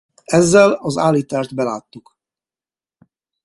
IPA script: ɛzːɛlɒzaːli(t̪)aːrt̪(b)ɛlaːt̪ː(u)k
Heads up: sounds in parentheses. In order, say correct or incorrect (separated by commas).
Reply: correct, correct, correct